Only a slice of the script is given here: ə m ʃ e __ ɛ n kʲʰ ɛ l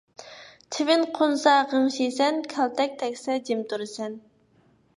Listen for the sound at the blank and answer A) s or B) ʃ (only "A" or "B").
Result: A